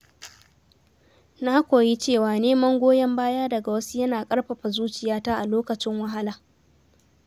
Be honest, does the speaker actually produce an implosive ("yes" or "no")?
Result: no